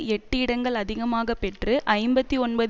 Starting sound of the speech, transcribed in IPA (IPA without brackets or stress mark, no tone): ɛ